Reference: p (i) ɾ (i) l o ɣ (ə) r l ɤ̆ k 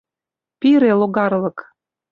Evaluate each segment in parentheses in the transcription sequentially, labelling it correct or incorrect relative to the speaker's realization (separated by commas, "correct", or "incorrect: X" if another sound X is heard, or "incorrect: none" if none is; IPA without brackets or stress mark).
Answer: correct, incorrect: e, incorrect: ɑ